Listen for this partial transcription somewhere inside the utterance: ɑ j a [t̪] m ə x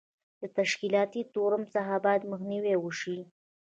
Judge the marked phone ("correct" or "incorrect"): incorrect